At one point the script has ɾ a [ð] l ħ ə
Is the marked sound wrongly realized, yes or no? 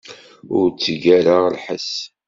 yes